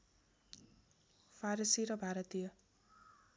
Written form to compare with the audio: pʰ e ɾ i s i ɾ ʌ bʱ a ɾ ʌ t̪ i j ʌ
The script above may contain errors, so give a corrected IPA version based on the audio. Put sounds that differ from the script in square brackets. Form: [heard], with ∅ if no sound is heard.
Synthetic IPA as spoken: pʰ [a] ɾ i s i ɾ ʌ bʱ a ɾ ʌ t̪ i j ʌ